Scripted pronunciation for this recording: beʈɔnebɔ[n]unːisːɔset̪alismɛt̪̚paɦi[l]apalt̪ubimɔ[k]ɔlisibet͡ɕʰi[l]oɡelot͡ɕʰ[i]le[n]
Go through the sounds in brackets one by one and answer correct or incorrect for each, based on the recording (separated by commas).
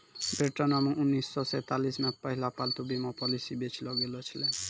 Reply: incorrect, correct, incorrect, correct, correct, correct